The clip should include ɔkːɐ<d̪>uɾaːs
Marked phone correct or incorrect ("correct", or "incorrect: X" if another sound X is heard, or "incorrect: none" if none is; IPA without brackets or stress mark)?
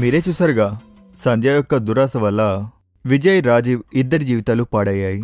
correct